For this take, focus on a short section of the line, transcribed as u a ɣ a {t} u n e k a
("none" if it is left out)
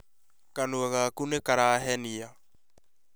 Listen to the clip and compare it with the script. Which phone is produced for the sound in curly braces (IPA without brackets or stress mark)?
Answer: k